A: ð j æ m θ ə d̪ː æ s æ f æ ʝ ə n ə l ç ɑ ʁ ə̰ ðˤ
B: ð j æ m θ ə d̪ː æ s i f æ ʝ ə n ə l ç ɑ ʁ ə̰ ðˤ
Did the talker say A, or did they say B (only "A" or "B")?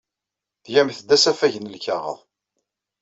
A